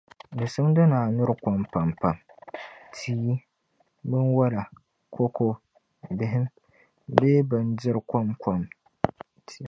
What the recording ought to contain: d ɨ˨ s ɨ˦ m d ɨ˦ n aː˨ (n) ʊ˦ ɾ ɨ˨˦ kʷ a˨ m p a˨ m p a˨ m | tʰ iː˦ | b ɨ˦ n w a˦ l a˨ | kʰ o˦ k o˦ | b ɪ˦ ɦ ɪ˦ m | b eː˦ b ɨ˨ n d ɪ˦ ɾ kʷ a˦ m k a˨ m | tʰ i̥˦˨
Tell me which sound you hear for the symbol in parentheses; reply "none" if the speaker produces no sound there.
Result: n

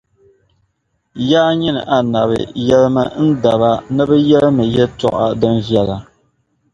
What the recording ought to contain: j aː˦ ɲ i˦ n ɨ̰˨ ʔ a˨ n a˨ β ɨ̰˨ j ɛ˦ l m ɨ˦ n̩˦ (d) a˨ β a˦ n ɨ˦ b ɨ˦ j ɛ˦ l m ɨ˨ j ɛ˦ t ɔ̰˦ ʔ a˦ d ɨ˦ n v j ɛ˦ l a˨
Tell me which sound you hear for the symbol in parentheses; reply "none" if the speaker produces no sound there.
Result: d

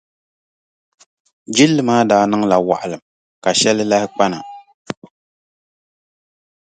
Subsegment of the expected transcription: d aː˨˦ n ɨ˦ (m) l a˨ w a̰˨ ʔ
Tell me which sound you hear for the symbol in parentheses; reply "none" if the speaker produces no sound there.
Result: ŋ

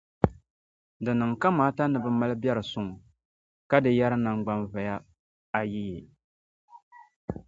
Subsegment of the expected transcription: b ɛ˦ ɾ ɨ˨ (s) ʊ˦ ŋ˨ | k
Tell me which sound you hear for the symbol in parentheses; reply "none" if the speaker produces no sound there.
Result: s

